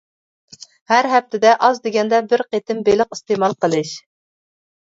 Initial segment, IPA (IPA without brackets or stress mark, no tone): h